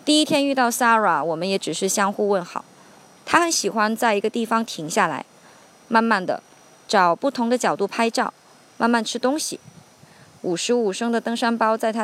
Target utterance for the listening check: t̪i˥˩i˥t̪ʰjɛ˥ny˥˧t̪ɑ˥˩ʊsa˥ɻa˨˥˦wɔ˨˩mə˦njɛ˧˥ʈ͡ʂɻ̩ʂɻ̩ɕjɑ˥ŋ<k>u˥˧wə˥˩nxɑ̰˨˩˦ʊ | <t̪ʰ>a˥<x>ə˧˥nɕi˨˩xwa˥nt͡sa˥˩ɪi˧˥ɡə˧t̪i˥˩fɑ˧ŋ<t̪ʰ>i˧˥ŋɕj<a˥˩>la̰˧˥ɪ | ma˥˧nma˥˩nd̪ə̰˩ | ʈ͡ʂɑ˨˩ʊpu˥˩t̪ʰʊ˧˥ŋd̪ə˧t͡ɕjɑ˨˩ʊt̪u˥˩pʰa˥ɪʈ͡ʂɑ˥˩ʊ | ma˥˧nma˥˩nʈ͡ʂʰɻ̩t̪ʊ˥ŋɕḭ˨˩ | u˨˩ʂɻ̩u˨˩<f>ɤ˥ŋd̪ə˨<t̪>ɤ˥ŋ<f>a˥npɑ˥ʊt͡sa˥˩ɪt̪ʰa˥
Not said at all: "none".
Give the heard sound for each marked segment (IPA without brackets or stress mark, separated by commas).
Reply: x, t̪ʰ, x, t̪ʰ, a˥˩, ʂ, t̪, ʂ